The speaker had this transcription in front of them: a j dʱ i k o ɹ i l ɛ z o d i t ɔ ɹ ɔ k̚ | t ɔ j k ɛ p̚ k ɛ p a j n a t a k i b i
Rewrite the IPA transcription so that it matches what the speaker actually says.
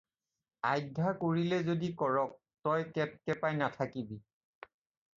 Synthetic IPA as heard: a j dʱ a k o ɹ i l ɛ z o d i k ɔ ɹ ɔ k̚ | t ɔ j k ɛ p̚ k ɛ p a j n a tʰ a k i b i